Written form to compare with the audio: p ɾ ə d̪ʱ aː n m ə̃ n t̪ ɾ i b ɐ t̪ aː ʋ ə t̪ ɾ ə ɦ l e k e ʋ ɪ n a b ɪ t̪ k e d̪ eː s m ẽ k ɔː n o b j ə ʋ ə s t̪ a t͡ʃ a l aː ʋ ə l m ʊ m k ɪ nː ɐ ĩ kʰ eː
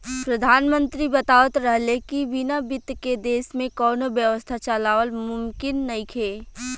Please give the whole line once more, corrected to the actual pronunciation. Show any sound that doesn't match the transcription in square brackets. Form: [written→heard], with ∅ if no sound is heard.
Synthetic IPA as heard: p ɾ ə d̪ʱ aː n m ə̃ n t̪ ɾ i b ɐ t̪ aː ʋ ə t̪ ɾ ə ɦ l e k [e→i] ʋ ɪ n a b ɪ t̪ k e d̪ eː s m ẽ k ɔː n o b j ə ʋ ə s [t̪→t̪ʰ] a t͡ʃ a l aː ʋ ə l m ʊ m k ɪ nː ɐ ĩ kʰ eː